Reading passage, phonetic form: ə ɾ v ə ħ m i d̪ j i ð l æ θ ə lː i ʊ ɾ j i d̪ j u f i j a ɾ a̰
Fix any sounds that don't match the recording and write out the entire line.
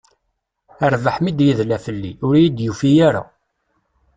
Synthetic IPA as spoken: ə ɾ v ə ħ m i d̪ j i ð l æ f ə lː i ʊ ɾ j i d̪ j u f i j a ɾ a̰